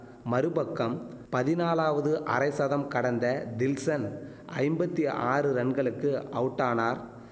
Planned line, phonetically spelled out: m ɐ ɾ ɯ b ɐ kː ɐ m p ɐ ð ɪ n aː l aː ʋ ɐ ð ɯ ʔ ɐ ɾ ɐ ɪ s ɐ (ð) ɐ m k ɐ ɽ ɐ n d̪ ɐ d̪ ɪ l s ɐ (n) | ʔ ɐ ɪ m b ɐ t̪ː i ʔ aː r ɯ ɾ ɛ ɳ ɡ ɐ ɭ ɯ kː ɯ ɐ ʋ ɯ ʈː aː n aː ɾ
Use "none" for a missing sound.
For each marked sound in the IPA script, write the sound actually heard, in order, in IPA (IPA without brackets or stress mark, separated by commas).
ð, n